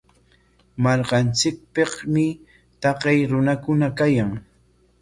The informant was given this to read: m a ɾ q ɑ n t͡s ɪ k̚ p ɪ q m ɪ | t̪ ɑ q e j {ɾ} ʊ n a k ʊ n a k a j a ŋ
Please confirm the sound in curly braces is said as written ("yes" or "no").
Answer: yes